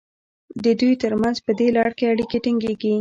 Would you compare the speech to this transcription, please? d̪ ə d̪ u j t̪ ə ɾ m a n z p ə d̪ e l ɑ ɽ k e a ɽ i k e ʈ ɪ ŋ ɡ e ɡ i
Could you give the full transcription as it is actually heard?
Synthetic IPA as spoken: d̪ ə d̪ u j t̪ ə ɾ m a n z p ə d̪ e l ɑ ɽ k e a ɽ i k e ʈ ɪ ŋ ɡ e ɡ i